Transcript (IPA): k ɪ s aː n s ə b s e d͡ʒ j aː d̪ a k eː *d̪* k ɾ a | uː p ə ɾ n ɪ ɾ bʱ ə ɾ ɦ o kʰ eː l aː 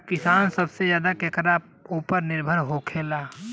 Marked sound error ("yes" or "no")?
yes